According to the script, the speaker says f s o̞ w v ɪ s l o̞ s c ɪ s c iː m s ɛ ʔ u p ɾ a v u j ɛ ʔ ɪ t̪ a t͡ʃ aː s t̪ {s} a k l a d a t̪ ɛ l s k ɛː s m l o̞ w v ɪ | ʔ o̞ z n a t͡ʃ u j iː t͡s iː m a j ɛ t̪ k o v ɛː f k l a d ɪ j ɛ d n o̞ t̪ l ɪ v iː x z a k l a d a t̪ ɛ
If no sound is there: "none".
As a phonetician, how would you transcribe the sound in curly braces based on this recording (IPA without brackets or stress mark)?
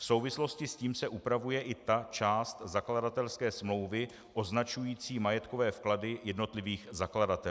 z